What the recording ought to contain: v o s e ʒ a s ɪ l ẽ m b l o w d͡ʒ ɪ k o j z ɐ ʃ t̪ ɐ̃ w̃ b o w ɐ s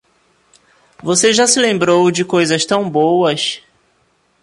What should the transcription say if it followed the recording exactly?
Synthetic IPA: v o s e ʒ a s ɪ l ẽ m b ɾ o w d͡ʒ ɪ k o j z ɐ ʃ t̪ ɐ̃ w̃ b o w ɐ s